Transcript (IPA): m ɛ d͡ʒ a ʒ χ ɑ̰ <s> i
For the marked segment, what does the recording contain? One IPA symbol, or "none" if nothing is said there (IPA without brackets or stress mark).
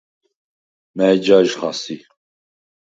s